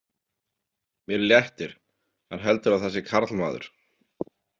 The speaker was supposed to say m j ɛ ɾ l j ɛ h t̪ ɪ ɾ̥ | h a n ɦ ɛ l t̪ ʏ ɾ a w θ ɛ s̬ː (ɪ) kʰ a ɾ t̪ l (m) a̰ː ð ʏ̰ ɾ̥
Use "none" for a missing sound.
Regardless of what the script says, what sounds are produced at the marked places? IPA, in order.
ɪ, m

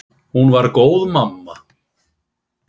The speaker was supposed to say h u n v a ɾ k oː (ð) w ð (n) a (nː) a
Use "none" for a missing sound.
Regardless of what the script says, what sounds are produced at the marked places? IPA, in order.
none, m, mː

